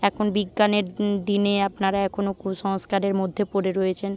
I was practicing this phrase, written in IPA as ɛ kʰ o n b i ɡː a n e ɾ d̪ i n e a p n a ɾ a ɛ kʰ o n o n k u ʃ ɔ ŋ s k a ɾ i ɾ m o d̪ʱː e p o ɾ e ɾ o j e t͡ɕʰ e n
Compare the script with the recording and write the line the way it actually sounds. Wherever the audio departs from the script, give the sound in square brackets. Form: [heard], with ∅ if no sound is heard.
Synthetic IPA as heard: ɛ kʰ o n b i ɡː a n e ɾ d̪ i n e a p n a ɾ a ɛ kʰ o n o [∅] k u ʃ ɔ ŋ s k a ɾ [e] ɾ m o d̪ʱː e p o ɾ e ɾ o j e t͡ɕʰ e n